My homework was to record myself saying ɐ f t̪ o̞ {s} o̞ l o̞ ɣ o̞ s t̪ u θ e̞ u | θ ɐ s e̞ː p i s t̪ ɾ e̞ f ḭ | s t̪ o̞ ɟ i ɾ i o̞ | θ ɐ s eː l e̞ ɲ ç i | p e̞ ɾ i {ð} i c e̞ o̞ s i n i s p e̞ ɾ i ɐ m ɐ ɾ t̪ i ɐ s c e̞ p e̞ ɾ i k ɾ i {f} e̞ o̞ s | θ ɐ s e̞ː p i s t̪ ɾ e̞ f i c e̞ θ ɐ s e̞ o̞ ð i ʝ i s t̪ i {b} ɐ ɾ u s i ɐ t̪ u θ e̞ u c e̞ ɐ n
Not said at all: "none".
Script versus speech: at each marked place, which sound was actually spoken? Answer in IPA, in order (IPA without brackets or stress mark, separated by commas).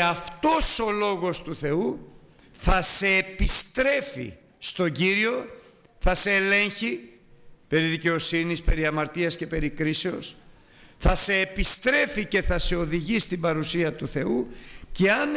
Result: s, ð, s, b